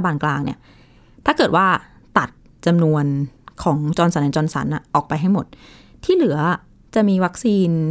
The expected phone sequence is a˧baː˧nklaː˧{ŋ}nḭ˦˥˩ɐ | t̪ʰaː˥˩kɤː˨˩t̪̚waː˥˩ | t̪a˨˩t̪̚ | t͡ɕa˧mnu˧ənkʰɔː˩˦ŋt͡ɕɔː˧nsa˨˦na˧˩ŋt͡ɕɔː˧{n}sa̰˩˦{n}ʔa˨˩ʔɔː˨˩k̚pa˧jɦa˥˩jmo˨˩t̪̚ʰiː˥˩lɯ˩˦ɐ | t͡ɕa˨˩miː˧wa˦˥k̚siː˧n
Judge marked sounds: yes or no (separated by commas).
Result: yes, yes, yes